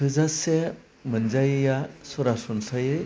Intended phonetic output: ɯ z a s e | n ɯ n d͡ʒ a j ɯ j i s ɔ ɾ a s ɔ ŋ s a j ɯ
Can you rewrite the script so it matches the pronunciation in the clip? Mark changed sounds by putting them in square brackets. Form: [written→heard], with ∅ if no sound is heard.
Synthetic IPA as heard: ɯ z a s e | [n→m] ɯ n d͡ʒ a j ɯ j [i→a] s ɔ ɾ a s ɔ [ŋ→n] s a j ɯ